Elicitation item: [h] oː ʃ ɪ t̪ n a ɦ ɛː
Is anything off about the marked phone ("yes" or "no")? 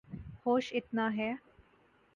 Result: no